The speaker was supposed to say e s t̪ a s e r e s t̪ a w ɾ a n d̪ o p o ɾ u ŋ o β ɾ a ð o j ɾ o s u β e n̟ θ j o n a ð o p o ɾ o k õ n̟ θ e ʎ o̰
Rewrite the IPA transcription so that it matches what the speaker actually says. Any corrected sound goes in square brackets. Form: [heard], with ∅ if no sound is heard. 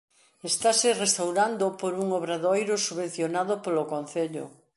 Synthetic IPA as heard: e s t̪ a s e r e s t̪ a w ɾ a n d̪ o p o ɾ u ŋ o β ɾ a ð o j ɾ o s u β e n̟ θ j o n a ð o p o [l] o k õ n̟ θ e ʎ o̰